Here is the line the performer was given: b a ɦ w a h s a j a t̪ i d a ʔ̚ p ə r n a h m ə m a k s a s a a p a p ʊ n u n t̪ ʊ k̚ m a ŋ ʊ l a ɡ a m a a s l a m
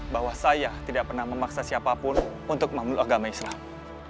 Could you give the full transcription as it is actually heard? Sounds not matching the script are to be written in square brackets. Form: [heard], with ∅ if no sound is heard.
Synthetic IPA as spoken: b a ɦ w a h s a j a t̪ i d a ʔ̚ p ə r n a h m ə m a k s a s [i] a p a p ʊ n u n t̪ ʊ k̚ m a [m] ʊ l a ɡ a m a [i] s l a m